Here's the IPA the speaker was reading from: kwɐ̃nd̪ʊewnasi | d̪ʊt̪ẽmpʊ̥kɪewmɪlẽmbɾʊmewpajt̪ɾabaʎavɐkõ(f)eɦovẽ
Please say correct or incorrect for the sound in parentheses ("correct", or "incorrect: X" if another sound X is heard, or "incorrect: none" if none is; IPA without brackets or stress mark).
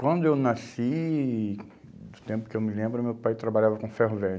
correct